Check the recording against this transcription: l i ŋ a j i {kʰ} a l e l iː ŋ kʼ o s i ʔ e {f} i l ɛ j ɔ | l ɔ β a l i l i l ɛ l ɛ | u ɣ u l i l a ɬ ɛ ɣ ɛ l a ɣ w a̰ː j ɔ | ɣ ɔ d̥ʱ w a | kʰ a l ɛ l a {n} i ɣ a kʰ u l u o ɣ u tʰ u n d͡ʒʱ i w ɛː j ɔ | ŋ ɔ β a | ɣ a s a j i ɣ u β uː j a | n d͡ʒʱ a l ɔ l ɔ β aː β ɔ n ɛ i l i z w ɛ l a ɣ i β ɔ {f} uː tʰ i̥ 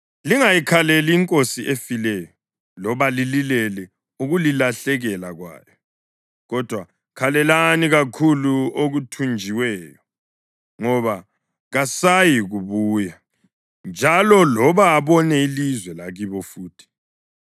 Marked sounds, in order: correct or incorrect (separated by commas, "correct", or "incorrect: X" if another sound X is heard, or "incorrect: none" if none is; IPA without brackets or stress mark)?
correct, correct, correct, correct